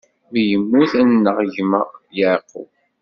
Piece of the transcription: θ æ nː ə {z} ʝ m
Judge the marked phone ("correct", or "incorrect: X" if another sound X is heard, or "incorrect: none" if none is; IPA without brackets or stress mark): incorrect: ʁ